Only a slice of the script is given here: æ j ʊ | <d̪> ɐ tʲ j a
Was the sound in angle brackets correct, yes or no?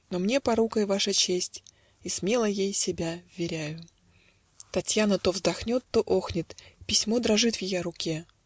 no